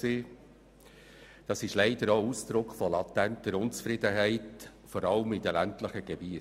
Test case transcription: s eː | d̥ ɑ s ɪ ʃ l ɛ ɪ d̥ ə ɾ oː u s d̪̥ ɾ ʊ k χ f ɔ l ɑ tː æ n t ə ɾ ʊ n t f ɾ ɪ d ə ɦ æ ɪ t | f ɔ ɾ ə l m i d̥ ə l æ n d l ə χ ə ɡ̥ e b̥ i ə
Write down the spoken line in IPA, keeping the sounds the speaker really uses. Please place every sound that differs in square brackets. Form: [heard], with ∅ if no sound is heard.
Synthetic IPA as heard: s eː | d̥ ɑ s ɪ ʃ l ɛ ɪ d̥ ə ɾ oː u s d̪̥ ɾ ʊ k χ f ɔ l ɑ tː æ n t ə ɾ ʊ n [t͡s] f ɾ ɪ d ə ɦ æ ɪ t | f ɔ ɾ [ɑ] l m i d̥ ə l æ n [t] l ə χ ə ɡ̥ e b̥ i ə